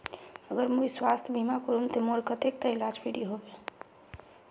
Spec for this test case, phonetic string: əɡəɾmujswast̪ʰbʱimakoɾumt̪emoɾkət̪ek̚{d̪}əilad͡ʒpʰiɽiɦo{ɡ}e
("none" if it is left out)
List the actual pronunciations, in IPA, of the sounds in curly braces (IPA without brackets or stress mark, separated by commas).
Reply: t̪, b